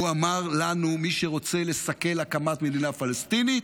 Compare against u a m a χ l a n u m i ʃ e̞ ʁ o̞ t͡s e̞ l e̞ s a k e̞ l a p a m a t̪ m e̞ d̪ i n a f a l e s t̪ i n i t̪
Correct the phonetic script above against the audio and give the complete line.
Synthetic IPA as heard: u a m a ʁ l a n u m i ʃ e̞ ʁ o̞ t͡s e̞ l e̞ s a k e̞ l a k a m a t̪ m e̞ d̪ i n a f a l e s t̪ i n i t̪